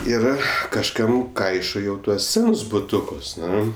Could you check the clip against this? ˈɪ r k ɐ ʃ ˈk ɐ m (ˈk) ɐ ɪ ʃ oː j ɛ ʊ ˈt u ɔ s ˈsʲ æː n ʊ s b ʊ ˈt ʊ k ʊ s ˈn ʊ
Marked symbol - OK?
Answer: yes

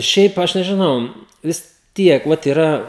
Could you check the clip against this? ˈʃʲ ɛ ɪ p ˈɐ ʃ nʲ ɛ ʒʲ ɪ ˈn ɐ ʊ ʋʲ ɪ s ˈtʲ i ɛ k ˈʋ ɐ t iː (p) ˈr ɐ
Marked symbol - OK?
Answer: no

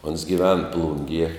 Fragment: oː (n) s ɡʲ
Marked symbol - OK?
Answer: yes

